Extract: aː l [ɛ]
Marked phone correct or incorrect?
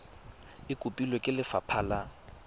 incorrect